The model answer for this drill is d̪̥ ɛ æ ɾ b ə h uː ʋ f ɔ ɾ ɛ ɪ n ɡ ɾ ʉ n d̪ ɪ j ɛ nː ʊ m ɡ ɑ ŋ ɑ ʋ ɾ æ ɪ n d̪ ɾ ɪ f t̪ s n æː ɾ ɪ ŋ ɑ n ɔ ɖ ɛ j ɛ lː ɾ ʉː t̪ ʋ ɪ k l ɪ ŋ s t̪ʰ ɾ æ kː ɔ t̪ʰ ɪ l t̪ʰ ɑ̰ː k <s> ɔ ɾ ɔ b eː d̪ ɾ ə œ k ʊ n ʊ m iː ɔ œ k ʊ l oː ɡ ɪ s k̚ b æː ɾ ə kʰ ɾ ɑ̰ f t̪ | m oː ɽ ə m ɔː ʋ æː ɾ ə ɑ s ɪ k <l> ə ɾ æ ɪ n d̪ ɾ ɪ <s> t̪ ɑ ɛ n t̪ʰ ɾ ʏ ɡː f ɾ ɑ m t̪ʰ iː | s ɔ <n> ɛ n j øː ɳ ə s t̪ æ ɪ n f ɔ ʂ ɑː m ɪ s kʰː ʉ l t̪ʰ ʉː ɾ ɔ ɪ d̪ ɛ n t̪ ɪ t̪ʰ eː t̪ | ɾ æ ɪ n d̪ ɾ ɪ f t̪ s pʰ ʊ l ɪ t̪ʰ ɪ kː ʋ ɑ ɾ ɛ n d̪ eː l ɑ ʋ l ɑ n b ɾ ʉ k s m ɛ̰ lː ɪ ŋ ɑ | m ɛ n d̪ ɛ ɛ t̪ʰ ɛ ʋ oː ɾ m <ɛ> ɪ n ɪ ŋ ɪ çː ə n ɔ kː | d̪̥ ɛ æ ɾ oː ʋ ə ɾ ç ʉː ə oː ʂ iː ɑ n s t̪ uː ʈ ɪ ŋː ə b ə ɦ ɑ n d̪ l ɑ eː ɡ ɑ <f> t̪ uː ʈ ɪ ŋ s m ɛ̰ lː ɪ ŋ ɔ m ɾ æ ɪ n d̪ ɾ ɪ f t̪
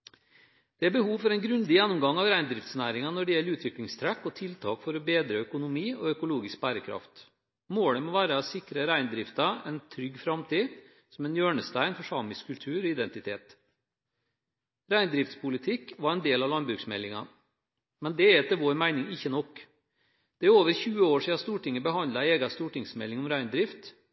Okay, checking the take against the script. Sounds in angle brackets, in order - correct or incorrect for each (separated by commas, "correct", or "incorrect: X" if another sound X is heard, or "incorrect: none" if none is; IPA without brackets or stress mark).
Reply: incorrect: f, incorrect: ɾ, incorrect: f, incorrect: m, incorrect: æ, incorrect: s